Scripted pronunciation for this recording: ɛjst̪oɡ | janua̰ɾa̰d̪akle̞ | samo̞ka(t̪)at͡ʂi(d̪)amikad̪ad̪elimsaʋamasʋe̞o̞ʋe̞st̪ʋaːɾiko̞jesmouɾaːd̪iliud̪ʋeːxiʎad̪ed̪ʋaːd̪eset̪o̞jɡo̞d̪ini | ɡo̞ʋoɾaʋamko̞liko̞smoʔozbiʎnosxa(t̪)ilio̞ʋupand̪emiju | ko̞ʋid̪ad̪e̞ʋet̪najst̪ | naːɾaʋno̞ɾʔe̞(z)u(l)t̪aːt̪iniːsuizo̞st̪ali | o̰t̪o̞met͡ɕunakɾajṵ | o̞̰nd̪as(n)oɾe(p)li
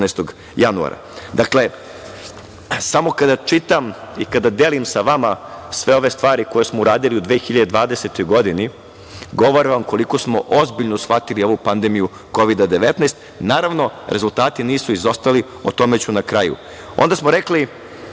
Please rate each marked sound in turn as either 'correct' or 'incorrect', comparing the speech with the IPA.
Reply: incorrect: d̪, incorrect: t̪, correct, correct, correct, incorrect: m, incorrect: k

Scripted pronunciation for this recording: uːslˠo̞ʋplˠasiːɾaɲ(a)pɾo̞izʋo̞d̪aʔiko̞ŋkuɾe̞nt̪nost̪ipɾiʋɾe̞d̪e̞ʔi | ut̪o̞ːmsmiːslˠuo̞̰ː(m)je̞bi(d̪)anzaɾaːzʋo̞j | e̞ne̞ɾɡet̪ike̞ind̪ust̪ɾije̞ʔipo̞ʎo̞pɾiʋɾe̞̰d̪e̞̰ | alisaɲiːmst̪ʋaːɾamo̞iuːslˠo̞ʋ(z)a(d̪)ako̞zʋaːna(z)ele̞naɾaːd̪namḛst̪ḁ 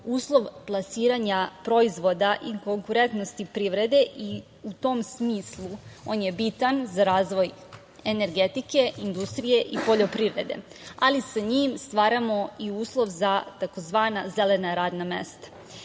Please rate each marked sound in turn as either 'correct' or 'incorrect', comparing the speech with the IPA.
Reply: correct, incorrect: n, incorrect: t̪, correct, incorrect: t̪, correct

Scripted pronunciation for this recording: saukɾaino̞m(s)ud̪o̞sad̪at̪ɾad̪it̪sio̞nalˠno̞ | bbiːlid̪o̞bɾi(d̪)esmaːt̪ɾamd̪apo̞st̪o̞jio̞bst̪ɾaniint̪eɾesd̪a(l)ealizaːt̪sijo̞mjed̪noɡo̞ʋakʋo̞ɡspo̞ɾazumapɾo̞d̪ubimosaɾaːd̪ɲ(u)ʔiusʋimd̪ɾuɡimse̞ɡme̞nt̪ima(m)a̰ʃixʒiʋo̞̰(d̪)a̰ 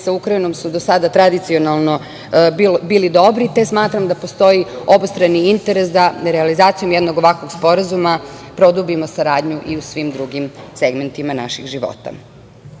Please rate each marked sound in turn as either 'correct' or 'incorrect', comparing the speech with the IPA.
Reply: correct, incorrect: t̪, incorrect: ɾ, correct, incorrect: n, incorrect: t̪

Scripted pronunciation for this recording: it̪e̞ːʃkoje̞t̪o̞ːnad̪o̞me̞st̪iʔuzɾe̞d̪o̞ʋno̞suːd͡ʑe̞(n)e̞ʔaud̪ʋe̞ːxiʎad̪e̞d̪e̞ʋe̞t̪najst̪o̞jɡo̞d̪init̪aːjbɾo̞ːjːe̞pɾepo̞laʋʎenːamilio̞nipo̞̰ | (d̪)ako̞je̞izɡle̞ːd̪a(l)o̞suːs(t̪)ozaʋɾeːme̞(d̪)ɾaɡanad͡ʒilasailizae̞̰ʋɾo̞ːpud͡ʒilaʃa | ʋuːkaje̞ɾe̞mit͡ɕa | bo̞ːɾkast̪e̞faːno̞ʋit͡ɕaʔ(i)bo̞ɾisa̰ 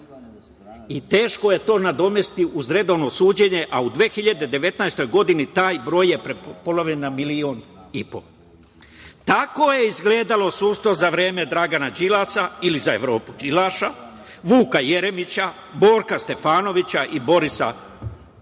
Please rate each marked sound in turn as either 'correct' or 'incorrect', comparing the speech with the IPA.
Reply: incorrect: ɲ, incorrect: t̪, correct, correct, correct, correct

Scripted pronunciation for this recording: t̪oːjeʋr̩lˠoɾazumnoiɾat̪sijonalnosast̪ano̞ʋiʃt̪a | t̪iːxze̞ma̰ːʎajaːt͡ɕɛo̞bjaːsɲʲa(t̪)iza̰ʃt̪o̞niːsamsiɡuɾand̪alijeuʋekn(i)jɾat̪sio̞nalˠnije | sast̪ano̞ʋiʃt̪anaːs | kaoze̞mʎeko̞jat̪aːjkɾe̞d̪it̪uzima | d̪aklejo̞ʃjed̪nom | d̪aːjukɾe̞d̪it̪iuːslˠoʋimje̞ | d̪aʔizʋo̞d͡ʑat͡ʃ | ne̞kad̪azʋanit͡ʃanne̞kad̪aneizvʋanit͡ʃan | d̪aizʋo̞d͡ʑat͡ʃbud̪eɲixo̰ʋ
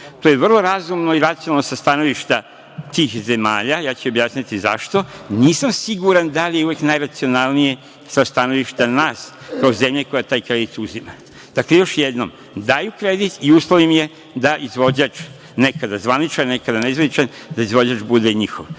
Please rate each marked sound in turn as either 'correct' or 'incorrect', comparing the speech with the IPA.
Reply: correct, incorrect: a

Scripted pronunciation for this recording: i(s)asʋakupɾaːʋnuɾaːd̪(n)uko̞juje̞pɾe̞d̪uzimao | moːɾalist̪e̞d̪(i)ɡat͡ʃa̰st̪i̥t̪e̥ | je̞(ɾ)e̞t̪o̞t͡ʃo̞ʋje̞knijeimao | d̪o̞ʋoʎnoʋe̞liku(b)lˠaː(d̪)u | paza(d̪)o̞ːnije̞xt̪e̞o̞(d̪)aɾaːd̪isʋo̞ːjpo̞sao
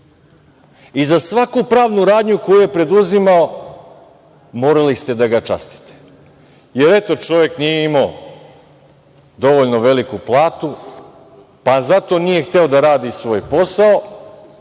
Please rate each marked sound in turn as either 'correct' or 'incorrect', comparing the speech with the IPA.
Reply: incorrect: z, incorrect: ɲ, incorrect: a, correct, incorrect: p, incorrect: t̪, incorrect: t̪, correct

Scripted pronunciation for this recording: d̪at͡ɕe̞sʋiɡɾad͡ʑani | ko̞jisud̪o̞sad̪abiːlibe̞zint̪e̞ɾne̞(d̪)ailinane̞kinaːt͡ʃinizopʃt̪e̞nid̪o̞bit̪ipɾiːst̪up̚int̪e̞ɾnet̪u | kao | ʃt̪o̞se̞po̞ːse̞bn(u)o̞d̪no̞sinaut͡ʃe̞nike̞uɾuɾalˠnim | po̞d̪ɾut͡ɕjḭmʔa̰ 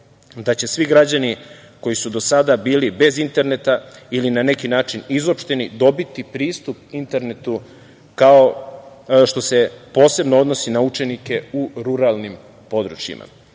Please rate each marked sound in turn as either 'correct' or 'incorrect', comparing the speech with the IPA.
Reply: incorrect: t̪, incorrect: o

